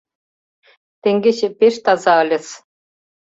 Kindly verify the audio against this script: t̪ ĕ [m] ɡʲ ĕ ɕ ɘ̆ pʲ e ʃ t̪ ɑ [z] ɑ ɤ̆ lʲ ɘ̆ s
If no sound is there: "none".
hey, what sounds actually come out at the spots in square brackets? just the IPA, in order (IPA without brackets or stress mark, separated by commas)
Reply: ŋ, z